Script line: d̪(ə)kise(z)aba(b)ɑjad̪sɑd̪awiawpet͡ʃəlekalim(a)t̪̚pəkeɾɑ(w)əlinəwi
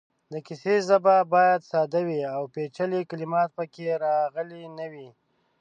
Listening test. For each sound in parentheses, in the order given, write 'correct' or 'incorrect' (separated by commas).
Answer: correct, correct, correct, incorrect, incorrect